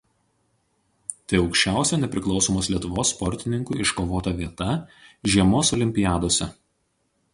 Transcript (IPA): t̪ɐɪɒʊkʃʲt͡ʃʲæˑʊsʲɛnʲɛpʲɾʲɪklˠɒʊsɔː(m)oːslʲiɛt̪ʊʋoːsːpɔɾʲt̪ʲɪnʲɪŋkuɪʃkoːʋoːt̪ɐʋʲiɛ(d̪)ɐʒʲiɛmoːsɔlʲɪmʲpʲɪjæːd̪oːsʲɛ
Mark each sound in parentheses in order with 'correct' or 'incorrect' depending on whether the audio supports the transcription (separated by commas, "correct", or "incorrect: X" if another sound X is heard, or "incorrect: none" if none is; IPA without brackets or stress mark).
correct, incorrect: t̪